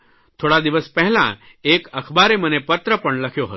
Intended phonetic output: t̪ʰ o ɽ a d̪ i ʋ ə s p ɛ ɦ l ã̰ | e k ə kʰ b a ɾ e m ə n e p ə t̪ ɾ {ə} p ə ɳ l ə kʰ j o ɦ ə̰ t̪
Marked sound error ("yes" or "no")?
no